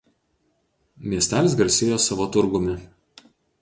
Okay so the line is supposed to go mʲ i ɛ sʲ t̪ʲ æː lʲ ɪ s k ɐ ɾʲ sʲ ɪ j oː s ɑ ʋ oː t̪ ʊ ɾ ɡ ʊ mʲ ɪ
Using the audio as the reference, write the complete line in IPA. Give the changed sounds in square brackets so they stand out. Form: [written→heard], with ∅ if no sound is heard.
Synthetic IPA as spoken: mʲ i ɛ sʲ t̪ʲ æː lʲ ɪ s [k→ɡ] ɐ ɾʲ sʲ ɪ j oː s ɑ ʋ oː t̪ ʊ ɾ ɡ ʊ mʲ ɪ